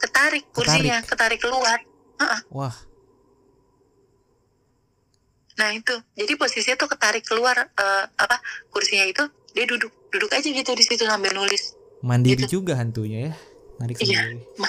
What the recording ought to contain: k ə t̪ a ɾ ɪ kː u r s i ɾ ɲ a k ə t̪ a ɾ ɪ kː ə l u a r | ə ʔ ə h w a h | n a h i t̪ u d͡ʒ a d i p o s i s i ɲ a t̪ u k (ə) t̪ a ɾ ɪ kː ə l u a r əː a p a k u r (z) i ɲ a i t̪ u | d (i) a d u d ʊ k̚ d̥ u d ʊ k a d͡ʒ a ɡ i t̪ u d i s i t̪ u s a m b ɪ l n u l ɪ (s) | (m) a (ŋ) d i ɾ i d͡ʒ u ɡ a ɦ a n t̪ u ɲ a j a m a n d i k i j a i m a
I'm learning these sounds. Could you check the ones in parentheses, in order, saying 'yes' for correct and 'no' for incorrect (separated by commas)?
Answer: yes, no, yes, yes, yes, no